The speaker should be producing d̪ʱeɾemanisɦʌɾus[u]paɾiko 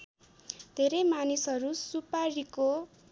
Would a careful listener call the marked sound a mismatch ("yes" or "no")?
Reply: no